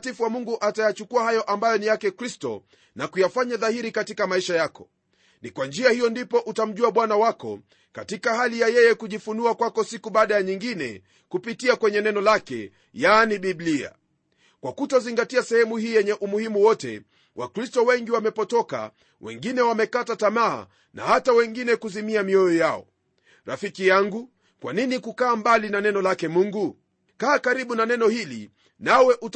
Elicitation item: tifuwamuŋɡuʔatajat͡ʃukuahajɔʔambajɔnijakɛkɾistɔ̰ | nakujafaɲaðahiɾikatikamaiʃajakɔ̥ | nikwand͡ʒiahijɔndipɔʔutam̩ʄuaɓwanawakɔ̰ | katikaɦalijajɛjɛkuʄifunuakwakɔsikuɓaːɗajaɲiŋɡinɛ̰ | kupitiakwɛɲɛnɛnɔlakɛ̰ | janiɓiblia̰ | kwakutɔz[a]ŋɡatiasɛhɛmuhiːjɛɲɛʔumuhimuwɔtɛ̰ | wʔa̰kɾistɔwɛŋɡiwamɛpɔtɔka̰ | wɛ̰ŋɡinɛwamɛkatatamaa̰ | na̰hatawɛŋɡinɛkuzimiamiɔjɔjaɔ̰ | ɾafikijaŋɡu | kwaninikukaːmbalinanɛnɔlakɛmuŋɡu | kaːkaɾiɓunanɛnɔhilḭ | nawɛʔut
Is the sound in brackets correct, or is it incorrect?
incorrect